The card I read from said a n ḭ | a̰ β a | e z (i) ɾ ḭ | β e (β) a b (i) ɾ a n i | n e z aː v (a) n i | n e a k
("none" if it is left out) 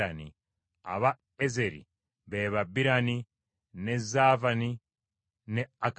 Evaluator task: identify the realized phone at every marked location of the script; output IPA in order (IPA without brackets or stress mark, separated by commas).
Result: e, β, i, a